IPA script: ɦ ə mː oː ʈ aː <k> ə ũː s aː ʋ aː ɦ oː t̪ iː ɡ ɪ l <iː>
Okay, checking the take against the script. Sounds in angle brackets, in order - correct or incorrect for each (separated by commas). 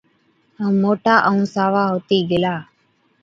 incorrect, incorrect